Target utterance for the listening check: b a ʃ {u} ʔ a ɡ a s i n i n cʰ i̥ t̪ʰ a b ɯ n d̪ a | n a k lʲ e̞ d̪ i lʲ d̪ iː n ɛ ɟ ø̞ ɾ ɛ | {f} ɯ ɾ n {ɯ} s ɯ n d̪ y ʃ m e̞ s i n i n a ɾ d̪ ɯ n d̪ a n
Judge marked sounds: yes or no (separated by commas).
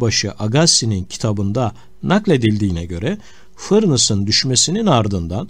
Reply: no, yes, yes